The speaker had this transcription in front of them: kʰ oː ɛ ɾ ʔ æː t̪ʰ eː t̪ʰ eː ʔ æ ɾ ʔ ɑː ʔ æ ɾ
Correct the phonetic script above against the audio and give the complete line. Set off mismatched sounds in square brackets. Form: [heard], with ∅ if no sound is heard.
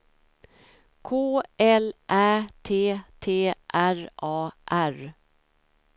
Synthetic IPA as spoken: kʰ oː ɛ [l] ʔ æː t̪ʰ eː t̪ʰ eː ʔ æ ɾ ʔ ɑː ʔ æ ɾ